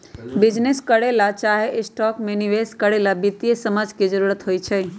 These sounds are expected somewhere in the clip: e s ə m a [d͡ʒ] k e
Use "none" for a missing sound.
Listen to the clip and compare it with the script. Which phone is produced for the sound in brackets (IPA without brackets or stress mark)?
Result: d͡ʒ